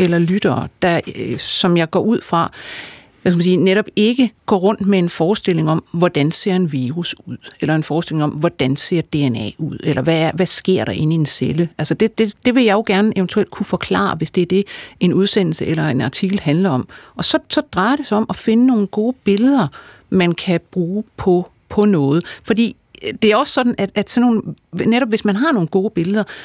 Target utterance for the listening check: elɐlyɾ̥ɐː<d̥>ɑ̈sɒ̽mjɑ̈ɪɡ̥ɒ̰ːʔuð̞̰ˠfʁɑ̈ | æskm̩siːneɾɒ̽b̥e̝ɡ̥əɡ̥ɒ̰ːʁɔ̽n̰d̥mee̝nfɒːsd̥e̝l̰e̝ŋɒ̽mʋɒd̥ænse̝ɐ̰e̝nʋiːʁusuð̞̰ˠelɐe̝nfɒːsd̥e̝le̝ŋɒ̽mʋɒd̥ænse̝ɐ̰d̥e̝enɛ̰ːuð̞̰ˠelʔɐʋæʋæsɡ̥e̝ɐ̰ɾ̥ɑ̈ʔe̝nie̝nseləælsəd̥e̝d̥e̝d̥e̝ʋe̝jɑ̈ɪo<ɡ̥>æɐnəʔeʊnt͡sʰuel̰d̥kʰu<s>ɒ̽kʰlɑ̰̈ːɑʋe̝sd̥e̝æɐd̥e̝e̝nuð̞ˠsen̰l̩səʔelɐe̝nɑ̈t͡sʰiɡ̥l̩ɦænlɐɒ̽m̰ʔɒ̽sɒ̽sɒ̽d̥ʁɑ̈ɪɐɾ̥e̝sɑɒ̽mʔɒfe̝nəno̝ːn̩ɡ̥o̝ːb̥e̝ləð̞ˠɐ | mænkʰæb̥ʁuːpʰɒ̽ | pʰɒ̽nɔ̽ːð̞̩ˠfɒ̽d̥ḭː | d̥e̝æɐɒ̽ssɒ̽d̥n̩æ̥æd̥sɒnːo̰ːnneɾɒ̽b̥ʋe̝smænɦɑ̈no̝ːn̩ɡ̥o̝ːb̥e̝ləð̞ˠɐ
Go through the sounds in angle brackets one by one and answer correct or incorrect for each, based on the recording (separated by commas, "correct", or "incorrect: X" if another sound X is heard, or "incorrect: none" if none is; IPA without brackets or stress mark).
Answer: correct, correct, incorrect: f